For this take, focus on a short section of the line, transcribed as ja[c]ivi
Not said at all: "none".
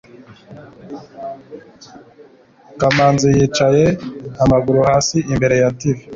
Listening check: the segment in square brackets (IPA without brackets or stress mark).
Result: t